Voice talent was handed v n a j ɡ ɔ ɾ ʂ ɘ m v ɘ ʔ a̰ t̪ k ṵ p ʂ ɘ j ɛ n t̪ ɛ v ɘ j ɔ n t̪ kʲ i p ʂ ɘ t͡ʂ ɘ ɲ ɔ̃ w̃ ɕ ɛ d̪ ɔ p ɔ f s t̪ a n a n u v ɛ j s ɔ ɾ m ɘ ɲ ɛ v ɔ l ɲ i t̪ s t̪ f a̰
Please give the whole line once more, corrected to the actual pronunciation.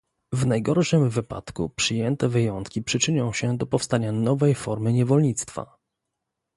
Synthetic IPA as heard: v n a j ɡ ɔ ɾ ʂ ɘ m v ɘ p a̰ t̪ k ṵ p ʂ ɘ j ɛ n t̪ ɛ v ɘ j ɔ n t̪ kʲ i p ʂ ɘ t͡ʂ ɘ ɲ ɔ̃ w̃ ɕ ɛ d̪ ɔ p ɔ f s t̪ a ɲ a n ɔ v ɛ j f ɔ ɾ m ɘ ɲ ɛ v ɔ l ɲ i t̪ s t̪ f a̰